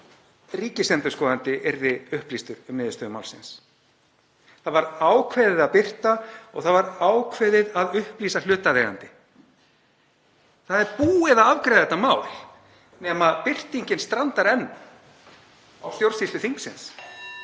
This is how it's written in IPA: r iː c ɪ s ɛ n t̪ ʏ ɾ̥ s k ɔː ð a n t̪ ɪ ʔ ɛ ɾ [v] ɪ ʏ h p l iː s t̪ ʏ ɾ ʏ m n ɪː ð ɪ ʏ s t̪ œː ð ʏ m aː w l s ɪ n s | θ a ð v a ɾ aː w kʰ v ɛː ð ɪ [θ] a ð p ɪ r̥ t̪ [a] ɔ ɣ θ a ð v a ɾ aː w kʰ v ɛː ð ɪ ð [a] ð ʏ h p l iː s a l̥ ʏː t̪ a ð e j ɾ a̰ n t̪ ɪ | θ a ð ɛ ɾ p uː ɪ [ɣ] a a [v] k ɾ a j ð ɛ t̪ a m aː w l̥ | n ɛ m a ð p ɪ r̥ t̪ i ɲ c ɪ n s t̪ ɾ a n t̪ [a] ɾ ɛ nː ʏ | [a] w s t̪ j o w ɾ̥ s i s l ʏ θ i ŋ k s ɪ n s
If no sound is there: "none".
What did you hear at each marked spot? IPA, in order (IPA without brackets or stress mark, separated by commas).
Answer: ð, ð, a, a, ð, v, a, a